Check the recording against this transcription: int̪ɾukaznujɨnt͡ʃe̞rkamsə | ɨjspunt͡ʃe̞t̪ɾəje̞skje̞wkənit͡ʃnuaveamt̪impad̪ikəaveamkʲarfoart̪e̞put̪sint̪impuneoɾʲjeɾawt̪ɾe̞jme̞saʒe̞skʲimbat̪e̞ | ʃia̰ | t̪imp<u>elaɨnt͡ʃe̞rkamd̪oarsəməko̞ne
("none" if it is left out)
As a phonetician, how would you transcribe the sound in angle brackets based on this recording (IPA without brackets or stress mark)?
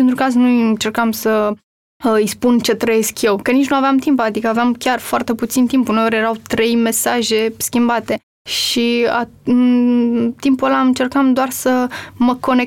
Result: u